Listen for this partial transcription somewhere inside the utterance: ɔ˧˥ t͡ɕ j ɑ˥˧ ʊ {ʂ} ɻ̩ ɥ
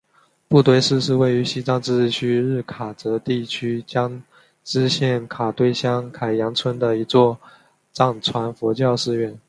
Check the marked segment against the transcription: correct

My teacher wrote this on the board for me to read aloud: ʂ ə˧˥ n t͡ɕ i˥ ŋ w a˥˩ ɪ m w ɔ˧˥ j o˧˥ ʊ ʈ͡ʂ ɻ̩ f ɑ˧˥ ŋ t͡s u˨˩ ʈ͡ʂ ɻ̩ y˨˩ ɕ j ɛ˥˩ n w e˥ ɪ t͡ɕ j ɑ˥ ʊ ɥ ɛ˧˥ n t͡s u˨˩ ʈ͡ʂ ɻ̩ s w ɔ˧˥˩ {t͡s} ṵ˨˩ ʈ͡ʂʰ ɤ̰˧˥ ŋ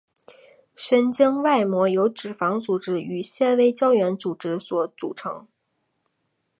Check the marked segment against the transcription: correct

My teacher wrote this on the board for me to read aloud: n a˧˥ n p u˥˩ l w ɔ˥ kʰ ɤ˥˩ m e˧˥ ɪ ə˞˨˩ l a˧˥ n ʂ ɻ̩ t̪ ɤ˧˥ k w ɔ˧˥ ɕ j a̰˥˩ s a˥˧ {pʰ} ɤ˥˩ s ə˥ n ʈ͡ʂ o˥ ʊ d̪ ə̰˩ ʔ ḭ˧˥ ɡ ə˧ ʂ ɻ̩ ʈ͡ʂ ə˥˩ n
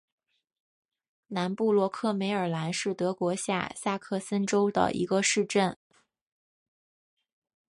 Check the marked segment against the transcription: incorrect: kʰ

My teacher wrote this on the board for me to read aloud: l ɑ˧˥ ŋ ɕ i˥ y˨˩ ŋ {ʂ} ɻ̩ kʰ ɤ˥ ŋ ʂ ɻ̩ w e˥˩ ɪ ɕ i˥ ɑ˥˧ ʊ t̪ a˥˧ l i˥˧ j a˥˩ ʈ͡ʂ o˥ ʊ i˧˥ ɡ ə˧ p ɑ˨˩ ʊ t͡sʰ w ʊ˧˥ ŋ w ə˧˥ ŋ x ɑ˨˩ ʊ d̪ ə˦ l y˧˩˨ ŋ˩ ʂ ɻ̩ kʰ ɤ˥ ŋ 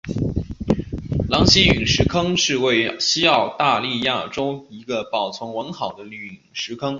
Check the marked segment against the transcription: correct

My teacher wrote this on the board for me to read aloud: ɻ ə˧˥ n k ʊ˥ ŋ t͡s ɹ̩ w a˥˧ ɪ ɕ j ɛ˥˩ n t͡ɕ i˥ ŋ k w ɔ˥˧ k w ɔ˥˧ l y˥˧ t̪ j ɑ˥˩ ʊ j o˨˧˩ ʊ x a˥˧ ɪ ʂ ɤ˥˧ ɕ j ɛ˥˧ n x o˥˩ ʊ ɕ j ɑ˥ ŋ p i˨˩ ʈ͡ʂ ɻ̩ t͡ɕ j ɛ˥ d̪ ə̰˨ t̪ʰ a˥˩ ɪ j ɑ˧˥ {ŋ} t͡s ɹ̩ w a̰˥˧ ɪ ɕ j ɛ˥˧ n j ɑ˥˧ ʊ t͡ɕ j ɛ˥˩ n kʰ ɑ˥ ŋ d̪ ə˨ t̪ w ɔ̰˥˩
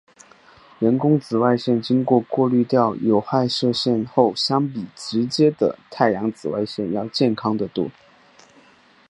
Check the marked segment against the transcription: correct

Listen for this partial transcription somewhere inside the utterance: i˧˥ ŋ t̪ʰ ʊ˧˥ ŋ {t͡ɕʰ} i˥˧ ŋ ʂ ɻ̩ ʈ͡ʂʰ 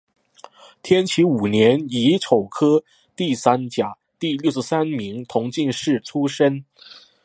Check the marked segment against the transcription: incorrect: t͡ɕ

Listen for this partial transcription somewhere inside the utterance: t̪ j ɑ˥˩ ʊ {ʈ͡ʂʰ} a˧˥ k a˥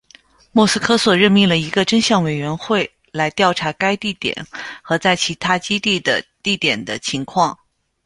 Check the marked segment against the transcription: correct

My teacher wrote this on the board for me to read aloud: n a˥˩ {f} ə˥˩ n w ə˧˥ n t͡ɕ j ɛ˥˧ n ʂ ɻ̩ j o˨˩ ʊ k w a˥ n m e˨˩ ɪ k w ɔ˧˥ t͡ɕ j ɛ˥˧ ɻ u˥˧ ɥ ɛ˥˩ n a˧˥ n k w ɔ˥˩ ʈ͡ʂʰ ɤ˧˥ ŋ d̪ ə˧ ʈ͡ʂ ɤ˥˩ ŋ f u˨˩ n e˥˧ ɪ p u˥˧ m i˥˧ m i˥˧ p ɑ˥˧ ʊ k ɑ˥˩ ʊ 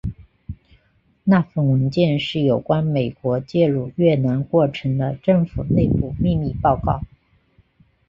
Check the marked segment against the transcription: correct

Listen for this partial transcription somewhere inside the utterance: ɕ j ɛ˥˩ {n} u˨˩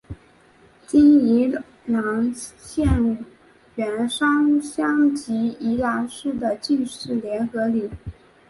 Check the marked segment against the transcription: correct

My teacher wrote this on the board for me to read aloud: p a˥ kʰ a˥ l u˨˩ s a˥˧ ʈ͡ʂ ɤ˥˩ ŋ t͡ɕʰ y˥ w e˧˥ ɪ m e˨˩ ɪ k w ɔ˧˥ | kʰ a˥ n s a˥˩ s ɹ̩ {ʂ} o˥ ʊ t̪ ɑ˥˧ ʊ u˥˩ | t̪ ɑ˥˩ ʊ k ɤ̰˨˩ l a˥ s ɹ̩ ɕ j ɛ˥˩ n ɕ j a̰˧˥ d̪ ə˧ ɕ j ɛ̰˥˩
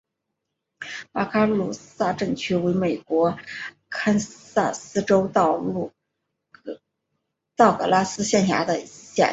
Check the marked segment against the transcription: incorrect: ʈ͡ʂ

